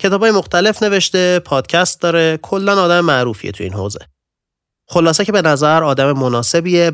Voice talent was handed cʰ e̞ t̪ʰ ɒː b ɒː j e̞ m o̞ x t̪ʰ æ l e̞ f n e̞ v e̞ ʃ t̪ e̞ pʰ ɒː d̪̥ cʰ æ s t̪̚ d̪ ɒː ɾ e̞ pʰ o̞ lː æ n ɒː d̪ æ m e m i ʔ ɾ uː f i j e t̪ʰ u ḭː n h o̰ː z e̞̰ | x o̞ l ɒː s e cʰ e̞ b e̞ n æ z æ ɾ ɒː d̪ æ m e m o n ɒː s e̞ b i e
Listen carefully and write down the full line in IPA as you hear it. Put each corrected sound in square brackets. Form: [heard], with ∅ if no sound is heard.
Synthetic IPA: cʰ e̞ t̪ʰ ɒː b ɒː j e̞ m o̞ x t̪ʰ æ l e̞ f n e̞ v e̞ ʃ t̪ e̞ pʰ ɒː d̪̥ cʰ æ s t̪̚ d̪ ɒː ɾ e̞ [kʰ] o̞ lː æ n ɒː d̪ æ m e m [æ] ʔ ɾ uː f i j e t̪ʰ u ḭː n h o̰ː z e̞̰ | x o̞ l ɒː s e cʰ e̞ b e̞ n æ z æ ɾ ɒː d̪ æ m e m o n ɒː s e̞ b i e